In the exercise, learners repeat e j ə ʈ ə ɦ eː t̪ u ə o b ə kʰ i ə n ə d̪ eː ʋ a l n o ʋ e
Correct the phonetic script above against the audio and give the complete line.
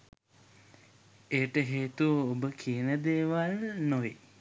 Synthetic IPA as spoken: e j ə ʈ ə ɦ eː t̪ u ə o b ə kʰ i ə n ə d̪ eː ʋ a l n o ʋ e